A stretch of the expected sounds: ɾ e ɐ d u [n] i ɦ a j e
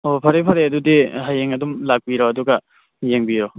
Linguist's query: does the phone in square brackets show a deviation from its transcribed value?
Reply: yes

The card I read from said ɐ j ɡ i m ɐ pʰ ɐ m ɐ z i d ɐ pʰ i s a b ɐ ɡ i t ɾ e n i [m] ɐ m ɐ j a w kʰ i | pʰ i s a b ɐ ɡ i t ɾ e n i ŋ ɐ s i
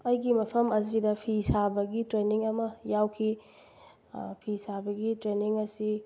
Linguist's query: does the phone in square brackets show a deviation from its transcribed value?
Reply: yes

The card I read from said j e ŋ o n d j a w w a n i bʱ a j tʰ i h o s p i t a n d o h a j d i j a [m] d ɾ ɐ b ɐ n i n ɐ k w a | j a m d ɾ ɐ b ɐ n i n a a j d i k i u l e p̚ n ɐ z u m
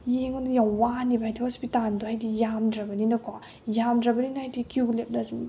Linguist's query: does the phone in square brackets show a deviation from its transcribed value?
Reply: no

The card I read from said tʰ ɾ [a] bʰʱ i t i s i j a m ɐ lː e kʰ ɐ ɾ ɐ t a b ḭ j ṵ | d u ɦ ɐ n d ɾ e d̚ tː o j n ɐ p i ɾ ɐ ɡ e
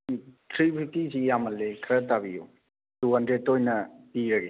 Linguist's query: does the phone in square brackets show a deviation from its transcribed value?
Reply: yes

